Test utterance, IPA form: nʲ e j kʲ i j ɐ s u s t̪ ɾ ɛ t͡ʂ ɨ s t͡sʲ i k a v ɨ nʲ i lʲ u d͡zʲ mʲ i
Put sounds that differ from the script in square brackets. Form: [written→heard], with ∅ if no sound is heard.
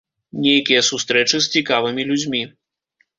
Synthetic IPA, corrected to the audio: nʲ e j kʲ i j ɐ s u s t̪ ɾ ɛ t͡ʂ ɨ s t͡sʲ i k a v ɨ [nʲ→mʲ] i lʲ u d͡zʲ mʲ i